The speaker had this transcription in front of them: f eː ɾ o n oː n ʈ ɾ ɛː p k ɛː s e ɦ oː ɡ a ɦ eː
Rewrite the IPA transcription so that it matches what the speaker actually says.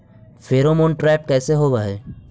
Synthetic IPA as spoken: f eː ɾ o m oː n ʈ ɾ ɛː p k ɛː s e ɦ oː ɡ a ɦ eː